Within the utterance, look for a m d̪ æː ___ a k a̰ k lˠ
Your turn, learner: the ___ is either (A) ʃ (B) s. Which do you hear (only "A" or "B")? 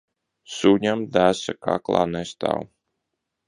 B